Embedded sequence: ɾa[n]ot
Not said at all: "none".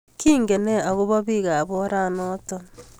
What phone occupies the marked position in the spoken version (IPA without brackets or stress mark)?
n